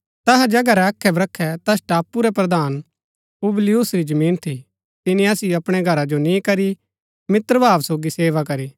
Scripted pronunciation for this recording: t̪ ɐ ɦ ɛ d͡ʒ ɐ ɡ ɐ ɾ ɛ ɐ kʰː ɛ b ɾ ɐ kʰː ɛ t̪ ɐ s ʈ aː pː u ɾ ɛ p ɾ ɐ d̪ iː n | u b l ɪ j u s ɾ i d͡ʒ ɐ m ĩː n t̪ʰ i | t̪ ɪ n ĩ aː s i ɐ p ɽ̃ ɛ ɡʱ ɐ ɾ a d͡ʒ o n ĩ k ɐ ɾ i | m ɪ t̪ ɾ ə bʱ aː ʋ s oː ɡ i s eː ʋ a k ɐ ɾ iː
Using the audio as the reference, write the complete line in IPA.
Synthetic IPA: t̪ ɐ ɦ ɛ d͡ʒ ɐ ɡ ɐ ɾ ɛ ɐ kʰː ɛ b ɾ ɐ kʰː ɛ t̪ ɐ s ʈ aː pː u ɾ ɛ p ɾ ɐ d̪ aː n | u b l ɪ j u s ɾ i d͡ʒ ɐ m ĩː n t̪ʰ i | t̪ ɪ n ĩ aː s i ɐ p ɽ̃ ɛ ɡʱ ɐ ɾ a d͡ʒ o n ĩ k ɐ ɾ i | m ɪ t̪ ɾ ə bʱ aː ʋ s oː ɡ i s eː ʋ a k ɐ ɾ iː